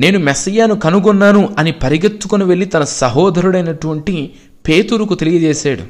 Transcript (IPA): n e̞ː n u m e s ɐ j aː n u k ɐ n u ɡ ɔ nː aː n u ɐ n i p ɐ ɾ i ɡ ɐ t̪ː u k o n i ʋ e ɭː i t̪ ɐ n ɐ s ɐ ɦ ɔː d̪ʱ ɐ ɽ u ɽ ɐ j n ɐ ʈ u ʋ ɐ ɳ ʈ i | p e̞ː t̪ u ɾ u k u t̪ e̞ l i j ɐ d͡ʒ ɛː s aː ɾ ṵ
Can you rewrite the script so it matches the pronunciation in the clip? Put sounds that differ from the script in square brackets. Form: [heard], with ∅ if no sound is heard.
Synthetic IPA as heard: n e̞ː n u m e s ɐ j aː n u k ɐ n u ɡ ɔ nː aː n u ɐ n i p ɐ ɾ i ɡ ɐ t̪ː u k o n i ʋ e ɭː i t̪ ɐ n ɐ s ɐ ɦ ɔː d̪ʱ ɐ [ɾ] u ɽ ɐ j n ɐ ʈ u ʋ ɐ ɳ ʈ i | p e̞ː t̪ u ɾ u k u t̪ e̞ l i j ɐ d͡ʒ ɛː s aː [ɽ] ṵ